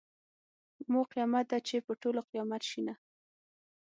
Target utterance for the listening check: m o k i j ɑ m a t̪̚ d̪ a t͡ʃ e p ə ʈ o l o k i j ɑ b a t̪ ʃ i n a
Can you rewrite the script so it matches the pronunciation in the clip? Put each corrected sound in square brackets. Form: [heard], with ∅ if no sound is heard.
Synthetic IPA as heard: m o [q] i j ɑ m a t̪̚ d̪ a t͡ʃ e p ə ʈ o l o [q] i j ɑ [m] a t̪ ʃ i n a